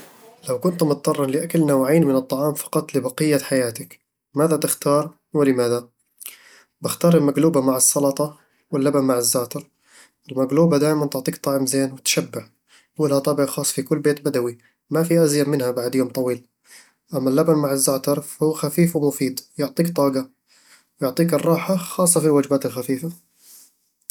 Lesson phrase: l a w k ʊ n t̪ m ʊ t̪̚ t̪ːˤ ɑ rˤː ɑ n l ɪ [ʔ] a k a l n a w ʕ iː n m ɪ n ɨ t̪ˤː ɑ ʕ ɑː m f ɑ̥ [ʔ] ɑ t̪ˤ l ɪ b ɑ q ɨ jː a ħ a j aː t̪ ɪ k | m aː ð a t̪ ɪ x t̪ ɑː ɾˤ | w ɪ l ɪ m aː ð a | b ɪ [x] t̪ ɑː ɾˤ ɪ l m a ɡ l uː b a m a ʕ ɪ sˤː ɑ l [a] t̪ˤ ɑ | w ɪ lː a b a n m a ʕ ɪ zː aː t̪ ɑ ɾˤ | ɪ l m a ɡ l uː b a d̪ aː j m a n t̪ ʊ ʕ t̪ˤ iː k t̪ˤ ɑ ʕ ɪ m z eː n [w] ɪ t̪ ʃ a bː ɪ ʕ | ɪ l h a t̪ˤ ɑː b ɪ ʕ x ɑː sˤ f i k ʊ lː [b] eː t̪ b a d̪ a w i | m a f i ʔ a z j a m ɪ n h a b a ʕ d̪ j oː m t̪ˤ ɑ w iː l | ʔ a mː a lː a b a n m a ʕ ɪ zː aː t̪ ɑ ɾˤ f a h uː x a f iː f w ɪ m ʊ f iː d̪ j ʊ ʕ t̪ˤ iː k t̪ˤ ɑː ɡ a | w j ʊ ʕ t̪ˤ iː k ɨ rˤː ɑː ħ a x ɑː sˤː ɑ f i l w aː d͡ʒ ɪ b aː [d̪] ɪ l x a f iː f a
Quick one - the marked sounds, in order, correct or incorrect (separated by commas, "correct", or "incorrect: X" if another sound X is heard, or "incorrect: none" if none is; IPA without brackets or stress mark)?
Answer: correct, incorrect: q, correct, incorrect: ɑ, correct, correct, incorrect: t̪